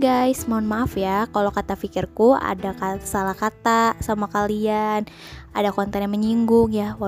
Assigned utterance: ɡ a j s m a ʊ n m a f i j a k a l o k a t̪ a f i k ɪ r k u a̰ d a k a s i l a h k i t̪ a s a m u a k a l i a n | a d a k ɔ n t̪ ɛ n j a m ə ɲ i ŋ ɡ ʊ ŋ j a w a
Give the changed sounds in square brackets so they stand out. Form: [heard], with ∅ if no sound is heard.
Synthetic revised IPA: ɡ a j s m a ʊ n m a f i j a k a l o k a t̪ a f i k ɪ r k u a̰ d a k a s [a] l a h k [a] t̪ a s a m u a k a l i a n | a d a k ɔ n t̪ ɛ n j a m ə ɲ i ŋ ɡ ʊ ŋ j a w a